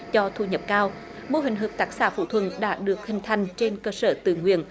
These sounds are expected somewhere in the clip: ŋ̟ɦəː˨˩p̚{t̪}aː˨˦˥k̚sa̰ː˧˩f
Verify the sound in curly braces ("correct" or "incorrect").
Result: correct